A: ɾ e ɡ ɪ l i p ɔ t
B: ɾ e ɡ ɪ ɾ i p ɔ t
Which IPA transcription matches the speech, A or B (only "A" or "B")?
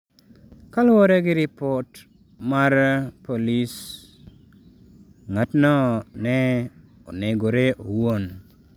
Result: B